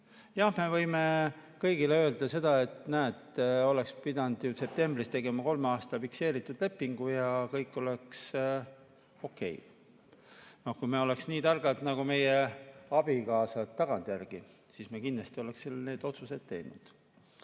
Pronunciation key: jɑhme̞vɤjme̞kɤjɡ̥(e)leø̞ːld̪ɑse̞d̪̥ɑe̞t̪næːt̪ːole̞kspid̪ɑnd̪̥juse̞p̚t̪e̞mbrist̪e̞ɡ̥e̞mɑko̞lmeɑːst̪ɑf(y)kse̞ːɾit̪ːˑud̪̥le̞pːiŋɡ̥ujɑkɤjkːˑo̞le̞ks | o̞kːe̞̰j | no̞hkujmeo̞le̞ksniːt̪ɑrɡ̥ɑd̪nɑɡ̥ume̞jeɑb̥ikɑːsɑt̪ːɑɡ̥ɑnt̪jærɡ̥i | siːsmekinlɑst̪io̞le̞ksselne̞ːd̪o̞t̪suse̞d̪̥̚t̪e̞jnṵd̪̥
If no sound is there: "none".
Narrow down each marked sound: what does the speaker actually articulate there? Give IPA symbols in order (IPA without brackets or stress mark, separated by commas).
i, i